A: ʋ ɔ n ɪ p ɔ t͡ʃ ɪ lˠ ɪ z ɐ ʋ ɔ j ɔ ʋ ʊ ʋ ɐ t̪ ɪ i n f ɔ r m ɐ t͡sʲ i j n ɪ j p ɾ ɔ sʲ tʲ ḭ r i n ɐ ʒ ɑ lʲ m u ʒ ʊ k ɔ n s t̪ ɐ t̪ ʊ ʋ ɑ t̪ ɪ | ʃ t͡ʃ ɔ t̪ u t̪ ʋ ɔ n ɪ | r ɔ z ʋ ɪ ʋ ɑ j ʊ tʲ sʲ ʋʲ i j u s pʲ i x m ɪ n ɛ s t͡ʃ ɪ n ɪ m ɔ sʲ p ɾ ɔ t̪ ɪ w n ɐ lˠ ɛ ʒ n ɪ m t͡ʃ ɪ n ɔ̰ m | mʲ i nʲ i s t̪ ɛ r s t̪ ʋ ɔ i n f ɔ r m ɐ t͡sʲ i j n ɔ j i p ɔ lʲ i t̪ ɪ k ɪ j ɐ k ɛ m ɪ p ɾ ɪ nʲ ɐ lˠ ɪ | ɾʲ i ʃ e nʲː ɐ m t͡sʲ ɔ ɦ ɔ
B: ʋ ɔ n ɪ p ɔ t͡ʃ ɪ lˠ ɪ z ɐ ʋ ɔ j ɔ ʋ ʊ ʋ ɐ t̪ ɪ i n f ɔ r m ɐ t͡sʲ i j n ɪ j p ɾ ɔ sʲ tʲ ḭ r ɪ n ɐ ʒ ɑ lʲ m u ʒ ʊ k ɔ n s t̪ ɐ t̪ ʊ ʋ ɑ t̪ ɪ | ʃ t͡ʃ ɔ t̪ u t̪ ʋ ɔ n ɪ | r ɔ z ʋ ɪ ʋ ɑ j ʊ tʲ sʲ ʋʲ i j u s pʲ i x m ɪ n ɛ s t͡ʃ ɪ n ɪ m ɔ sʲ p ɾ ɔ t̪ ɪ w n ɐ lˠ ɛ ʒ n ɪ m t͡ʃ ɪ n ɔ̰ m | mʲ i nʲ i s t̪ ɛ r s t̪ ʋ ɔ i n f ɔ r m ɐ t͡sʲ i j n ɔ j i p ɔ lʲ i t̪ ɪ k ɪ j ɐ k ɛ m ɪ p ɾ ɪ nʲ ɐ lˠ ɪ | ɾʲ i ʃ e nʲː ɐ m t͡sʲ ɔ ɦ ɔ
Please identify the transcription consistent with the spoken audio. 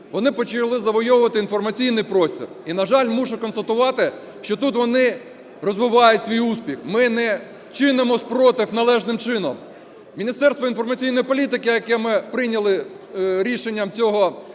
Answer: A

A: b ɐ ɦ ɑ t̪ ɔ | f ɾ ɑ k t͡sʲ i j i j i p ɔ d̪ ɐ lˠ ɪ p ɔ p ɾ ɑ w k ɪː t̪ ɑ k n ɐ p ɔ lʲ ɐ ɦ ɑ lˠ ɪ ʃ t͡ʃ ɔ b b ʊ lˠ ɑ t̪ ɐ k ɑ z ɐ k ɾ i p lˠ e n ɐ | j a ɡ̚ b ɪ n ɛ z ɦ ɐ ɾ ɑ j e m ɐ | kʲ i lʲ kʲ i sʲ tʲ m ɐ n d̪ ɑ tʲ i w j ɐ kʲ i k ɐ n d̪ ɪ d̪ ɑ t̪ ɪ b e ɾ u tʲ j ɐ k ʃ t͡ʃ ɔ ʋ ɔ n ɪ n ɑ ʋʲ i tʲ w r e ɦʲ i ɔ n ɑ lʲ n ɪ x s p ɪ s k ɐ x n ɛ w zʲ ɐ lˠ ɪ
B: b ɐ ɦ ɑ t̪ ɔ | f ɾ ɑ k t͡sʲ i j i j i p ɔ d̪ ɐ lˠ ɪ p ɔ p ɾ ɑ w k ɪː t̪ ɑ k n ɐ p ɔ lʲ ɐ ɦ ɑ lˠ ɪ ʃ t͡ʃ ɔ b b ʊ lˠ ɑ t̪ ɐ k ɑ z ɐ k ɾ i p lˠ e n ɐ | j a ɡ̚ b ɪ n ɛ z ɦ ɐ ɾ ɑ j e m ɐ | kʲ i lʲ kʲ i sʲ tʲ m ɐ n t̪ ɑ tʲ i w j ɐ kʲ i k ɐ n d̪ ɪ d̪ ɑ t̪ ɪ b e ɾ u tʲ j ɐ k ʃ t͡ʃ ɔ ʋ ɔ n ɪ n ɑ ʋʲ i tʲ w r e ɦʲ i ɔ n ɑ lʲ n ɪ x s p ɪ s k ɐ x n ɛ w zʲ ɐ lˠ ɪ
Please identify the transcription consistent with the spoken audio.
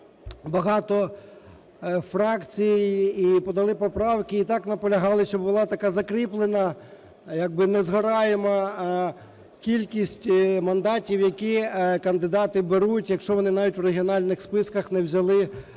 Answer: A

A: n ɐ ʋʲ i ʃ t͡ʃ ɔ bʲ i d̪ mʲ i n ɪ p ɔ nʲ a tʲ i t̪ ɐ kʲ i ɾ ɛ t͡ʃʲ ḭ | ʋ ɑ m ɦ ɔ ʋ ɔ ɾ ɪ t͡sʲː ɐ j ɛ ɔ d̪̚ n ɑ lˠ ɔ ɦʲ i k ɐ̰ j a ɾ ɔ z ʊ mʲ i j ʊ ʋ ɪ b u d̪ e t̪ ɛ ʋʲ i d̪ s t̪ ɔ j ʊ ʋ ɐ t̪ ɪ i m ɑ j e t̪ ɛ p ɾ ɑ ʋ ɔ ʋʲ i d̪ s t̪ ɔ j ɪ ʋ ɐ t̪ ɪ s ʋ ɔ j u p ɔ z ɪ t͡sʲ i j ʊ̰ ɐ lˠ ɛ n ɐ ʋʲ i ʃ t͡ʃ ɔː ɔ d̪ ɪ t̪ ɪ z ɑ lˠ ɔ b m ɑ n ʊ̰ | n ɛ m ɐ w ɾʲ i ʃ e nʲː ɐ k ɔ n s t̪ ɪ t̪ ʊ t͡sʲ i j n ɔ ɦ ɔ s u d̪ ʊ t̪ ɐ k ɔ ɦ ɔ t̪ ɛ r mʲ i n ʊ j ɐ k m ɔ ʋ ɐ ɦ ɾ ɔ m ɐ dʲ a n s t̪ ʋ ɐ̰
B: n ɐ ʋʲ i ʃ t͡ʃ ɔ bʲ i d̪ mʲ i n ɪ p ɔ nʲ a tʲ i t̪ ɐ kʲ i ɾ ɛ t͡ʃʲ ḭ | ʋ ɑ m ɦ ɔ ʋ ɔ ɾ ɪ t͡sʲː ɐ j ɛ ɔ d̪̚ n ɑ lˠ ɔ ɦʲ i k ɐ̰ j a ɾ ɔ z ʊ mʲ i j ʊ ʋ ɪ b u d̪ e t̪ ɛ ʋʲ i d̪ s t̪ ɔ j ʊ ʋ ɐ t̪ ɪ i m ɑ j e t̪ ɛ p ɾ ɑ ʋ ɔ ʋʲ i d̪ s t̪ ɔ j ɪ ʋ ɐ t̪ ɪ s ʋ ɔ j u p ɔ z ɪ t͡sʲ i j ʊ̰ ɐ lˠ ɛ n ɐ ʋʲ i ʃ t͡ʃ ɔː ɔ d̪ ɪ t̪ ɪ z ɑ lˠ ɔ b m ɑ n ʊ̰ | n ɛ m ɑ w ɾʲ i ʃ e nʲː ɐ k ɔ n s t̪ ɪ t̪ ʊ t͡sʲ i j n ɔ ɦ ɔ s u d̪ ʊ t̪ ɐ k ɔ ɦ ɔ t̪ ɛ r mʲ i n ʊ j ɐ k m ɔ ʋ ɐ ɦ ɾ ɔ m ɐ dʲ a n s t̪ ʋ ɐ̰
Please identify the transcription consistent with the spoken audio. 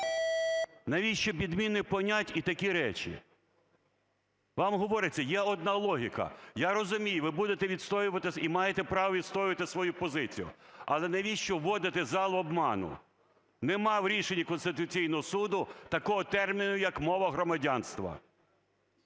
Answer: B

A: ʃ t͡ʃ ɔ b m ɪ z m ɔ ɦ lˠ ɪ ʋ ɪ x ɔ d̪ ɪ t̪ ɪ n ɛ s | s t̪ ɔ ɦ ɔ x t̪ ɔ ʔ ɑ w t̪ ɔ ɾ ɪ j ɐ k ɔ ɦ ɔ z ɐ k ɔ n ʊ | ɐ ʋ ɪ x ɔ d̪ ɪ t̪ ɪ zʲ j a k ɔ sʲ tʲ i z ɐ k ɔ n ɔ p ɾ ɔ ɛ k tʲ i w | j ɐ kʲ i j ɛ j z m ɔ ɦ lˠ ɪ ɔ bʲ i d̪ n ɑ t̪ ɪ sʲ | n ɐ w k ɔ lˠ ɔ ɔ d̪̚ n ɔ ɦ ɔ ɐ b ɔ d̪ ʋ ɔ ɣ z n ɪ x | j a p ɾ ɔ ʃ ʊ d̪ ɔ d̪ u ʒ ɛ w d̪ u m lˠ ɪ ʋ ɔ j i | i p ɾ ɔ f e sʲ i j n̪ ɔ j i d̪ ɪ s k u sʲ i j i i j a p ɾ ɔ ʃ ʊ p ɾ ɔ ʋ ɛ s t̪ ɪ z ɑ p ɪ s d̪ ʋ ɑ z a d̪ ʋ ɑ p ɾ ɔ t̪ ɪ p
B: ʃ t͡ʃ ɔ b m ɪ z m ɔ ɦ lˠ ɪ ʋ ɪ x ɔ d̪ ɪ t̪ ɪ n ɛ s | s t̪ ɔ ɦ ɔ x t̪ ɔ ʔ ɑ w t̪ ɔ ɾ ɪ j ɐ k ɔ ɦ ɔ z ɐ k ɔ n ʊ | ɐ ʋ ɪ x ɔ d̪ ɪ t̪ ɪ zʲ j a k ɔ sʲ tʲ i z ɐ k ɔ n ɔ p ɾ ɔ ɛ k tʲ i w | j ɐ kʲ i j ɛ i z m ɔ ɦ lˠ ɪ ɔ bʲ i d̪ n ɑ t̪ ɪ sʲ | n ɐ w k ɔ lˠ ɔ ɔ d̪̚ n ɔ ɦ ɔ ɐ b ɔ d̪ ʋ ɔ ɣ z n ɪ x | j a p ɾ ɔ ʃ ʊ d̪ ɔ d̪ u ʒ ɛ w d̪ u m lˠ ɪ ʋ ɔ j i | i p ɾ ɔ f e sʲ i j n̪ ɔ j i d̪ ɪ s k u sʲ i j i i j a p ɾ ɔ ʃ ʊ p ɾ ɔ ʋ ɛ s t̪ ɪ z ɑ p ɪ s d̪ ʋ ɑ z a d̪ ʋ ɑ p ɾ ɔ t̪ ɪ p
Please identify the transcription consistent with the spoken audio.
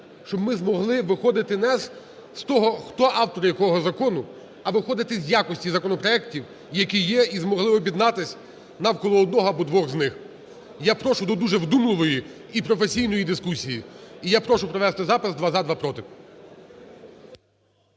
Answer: B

